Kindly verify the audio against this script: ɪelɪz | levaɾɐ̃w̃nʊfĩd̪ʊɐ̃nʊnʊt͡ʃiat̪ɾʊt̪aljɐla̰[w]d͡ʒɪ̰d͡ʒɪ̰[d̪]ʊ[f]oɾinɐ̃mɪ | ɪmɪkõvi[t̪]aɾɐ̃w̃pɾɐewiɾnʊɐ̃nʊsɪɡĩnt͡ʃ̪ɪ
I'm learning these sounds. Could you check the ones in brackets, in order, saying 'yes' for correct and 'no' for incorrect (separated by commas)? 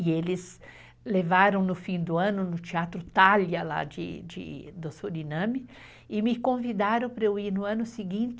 no, yes, no, no